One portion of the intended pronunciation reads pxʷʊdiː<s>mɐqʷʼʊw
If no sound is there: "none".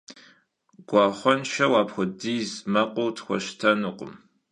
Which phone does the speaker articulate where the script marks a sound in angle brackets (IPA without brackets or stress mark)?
z